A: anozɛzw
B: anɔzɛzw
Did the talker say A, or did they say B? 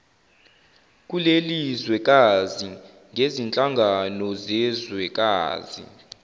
B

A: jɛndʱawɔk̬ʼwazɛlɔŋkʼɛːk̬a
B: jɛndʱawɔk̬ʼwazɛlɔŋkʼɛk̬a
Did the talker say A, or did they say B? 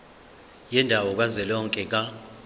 B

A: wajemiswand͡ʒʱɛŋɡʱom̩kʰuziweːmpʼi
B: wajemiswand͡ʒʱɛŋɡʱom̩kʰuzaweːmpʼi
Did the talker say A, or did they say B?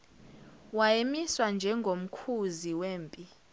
A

